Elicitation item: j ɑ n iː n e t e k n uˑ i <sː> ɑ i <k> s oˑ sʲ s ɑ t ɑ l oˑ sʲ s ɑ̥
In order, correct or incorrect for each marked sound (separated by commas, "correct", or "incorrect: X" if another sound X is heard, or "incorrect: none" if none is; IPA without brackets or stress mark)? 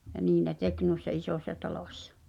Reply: correct, incorrect: none